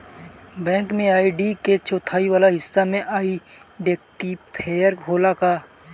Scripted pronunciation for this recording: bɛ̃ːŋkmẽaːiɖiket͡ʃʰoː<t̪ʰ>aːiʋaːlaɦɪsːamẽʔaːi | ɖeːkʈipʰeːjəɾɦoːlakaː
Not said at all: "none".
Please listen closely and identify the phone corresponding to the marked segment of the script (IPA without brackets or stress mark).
t̪ʰ